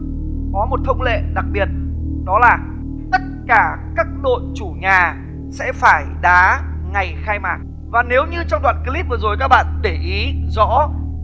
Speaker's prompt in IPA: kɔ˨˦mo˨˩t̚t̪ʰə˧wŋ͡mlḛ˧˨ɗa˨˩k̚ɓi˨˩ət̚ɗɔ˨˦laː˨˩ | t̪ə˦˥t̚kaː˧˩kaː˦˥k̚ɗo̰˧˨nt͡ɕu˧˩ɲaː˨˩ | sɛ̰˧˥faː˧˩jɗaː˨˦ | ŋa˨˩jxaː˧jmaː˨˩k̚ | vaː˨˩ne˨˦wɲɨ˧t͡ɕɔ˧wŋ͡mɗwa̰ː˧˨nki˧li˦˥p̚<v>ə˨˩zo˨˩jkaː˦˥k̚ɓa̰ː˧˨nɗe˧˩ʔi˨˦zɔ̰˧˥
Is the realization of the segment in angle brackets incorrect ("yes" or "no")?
no